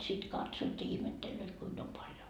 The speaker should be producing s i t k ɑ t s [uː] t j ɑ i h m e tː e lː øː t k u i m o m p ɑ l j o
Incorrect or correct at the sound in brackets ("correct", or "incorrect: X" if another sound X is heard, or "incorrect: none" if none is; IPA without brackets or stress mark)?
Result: incorrect: oː